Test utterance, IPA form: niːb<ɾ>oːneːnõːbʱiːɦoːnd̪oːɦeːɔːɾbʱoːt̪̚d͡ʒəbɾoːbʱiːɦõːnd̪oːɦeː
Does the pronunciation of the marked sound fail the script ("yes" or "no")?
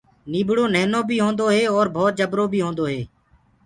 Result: yes